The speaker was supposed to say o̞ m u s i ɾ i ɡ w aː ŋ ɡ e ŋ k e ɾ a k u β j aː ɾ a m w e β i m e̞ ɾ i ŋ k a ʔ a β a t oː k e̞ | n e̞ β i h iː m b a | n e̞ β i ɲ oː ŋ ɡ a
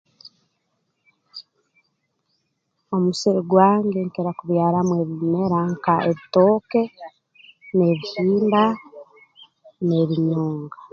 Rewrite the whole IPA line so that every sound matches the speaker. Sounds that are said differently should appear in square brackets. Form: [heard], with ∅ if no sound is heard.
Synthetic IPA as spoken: o̞ m u s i ɾ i ɡ w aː ŋ ɡ e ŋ k e ɾ a k u β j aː ɾ a m w e β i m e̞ ɾ [a] ŋ k a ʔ [e] β [i] t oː k e̞ | n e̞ β i h iː m b a | n e̞ β i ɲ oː ŋ ɡ a